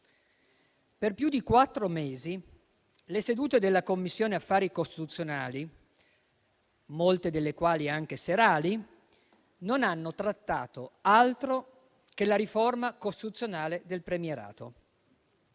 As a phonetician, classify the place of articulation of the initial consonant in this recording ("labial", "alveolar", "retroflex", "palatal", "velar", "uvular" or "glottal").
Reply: labial